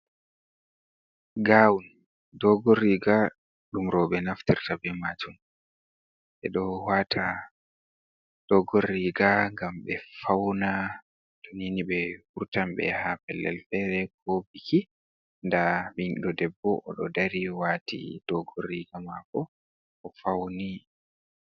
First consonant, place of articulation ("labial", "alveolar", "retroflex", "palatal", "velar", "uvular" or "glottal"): velar